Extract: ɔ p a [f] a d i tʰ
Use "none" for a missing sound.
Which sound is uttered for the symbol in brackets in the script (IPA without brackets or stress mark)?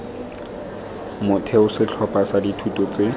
s